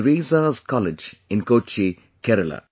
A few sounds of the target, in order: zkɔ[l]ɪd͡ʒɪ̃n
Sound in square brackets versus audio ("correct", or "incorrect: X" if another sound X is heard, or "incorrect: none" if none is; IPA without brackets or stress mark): correct